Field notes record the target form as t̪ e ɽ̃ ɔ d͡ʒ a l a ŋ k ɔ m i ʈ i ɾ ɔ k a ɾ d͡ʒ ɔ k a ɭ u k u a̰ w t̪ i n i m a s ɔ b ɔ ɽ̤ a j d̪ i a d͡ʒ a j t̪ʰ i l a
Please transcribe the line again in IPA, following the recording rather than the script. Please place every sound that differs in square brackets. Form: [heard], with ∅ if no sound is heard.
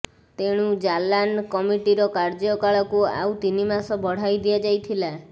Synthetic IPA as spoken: t̪ e ɽ̃ [u] d͡ʒ a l a [n] k ɔ m i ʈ i ɾ ɔ k a ɾ d͡ʒ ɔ k a ɭ [ɔ] k u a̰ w t̪ i n i m a s ɔ b ɔ ɽ̤ a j d̪ i a d͡ʒ a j t̪ʰ i l a